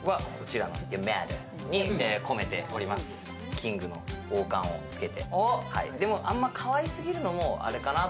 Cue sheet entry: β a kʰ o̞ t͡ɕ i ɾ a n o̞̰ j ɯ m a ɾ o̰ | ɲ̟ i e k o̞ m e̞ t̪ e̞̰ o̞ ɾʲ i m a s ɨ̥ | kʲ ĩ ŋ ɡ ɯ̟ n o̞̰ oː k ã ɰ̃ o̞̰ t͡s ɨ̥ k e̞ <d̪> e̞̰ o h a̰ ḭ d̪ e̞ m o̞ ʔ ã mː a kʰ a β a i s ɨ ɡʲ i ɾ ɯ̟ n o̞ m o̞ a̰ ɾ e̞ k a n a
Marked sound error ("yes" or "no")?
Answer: yes